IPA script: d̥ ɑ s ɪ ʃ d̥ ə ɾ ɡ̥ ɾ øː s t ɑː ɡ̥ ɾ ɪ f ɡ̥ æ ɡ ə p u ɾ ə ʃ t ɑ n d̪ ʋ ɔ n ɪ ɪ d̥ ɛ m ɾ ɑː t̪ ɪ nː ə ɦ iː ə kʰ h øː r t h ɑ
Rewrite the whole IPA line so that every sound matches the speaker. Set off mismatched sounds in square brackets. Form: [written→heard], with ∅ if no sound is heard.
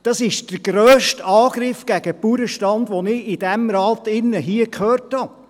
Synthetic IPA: d̥ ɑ s ɪ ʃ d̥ ə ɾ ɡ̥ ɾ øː [s→ʃ] t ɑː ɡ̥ ɾ ɪ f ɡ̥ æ ɡ ə p u ɾ ə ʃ t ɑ n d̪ ʋ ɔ n ɪ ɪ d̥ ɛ m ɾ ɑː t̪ ɪ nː ə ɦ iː ə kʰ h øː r t h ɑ